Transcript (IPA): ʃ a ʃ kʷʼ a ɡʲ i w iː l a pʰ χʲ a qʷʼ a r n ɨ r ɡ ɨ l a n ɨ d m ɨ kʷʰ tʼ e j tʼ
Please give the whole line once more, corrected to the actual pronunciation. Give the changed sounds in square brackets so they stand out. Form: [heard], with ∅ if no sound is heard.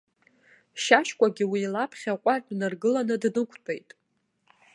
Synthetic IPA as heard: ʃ a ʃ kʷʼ a ɡʲ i w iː l a pʰ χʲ a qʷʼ a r n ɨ r ɡ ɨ l a n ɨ d [n] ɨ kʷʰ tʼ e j tʼ